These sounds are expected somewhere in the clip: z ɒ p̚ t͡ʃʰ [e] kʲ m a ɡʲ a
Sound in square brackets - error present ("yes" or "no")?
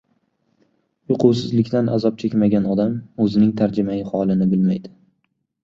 no